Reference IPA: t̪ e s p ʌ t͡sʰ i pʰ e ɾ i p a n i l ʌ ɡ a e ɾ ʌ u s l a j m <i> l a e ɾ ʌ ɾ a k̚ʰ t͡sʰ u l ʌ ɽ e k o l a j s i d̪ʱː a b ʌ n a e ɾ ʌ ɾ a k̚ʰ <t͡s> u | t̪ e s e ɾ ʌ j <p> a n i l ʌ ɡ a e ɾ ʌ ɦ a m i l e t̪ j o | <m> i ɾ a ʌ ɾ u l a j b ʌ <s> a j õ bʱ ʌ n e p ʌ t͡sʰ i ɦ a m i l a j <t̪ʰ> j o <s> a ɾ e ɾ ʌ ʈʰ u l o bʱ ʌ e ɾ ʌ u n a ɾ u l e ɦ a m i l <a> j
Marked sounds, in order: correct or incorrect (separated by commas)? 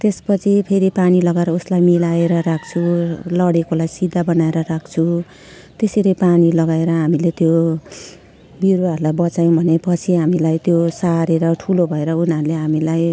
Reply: correct, incorrect, correct, incorrect, incorrect, incorrect, correct, correct